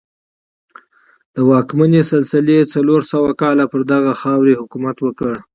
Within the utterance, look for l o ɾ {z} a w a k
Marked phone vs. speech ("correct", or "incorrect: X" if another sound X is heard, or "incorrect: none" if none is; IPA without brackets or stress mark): incorrect: s